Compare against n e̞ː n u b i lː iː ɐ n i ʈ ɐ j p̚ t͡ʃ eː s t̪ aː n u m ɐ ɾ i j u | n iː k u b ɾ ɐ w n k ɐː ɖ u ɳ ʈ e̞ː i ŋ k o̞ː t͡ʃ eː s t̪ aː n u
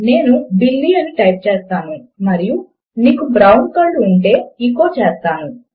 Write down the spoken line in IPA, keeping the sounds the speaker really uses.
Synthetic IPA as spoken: n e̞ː n u b i lː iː ɐ n i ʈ ɐ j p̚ t͡ʃ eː s t̪ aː n u m ɐ ɾ i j u | n iː k u b ɾ ɐ w n k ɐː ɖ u ɳ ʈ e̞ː i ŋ k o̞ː t͡ʃ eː s t̪ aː n u